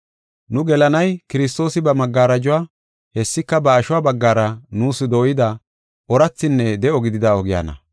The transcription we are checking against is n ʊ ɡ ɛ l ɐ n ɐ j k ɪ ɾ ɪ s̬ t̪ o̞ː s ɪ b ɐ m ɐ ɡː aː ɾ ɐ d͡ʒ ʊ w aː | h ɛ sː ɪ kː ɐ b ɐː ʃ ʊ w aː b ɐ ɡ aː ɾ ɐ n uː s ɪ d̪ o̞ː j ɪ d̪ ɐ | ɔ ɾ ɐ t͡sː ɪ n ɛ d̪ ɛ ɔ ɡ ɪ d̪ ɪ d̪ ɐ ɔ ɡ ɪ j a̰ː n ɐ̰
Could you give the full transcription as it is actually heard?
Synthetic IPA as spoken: n ʊ ɡ ɛ l ɐ n ɐ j k ɪ ɾ ɪ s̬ t̪ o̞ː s ɪ b ɐ m ɐ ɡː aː ɾ ɐ d͡ʒ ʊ w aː | h ɛ sː ɪ kː ɐ b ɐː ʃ ʊ w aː b ɐ ɡː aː ɾ ɐ n uː s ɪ d̪ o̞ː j ɪ d̪ ɐ | ɔ ɾ ɐ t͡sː ɪ nː ɛ d̪ ɛ ɔ ɡ ɪ d̪ ɪ d̪ ɐ ɔ ɡ ɪ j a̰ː n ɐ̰